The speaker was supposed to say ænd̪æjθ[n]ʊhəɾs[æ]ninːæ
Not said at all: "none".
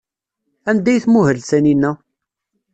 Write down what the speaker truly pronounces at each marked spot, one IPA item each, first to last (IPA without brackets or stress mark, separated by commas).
m, æ